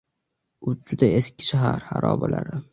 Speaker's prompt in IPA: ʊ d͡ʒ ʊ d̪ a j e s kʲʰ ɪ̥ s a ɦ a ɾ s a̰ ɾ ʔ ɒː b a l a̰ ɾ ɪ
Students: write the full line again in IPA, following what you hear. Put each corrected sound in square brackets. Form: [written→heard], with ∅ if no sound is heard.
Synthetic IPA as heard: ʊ d͡ʒ ʊ d̪ a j e s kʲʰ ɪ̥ [s→ʃ] a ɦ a ɾ [s→h] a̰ ɾ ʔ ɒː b a l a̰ ɾ ɪ